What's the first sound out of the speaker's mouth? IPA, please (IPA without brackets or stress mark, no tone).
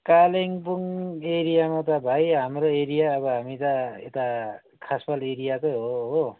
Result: k